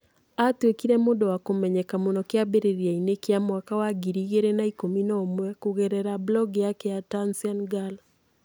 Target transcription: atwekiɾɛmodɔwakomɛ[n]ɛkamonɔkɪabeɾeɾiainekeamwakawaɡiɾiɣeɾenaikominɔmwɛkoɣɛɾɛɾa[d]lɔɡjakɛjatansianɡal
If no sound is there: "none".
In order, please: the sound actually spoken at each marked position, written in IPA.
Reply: ɲ, b

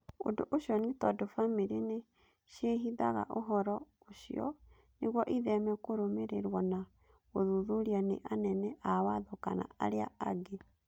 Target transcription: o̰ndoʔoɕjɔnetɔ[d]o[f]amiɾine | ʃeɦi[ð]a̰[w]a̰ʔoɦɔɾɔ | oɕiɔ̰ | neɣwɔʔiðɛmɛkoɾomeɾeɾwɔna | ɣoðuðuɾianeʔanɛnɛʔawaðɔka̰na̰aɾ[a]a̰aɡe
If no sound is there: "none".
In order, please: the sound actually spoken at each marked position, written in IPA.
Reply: d, f, ð, ɣ, e

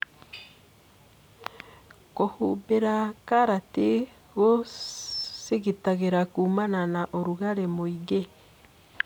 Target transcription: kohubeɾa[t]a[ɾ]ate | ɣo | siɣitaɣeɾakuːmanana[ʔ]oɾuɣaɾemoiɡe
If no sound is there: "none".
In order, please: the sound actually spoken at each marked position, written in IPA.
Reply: k, ɾ, ʔ

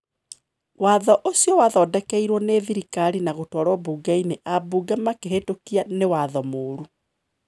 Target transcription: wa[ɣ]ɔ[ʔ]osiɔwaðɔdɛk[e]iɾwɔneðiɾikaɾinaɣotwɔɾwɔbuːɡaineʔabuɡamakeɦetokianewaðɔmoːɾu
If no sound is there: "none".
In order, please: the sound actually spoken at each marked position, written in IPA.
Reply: ð, ʔ, ɛ

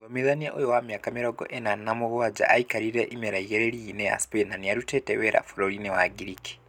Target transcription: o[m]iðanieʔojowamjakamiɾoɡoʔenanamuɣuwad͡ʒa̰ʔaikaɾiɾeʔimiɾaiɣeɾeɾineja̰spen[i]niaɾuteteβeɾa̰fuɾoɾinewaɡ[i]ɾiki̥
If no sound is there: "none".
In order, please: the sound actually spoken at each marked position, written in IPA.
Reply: m, a, i

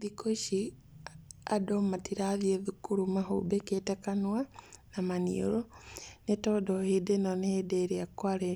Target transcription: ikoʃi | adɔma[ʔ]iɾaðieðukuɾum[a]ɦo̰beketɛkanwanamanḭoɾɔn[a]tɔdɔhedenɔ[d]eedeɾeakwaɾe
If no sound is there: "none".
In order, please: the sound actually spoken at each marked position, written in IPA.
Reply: t, a, e, n

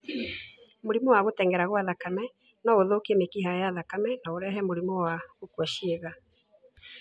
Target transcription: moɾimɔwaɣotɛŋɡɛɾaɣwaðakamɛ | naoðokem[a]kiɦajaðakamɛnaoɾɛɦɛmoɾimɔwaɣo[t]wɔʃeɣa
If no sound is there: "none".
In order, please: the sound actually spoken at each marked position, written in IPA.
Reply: e, k

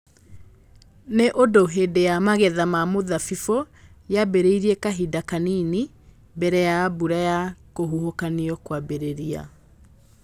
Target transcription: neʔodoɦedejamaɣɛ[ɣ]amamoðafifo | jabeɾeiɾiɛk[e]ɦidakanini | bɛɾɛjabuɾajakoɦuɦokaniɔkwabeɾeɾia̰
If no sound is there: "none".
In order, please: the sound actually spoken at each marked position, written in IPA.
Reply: ð, a

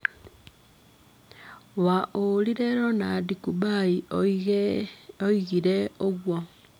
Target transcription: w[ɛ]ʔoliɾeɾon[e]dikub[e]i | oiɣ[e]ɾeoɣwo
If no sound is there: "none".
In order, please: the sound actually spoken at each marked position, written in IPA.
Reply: a, a, a, i

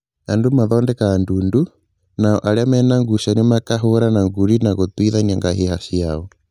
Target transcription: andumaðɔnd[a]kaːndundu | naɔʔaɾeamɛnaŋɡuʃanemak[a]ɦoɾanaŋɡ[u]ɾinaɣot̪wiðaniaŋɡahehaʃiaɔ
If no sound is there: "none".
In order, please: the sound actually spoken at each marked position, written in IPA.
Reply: ɛ, a, u

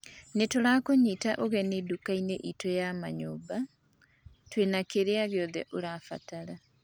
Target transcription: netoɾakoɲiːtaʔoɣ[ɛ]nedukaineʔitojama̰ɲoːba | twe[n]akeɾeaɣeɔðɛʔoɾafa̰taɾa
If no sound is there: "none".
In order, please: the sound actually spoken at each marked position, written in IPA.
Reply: ɛ, n

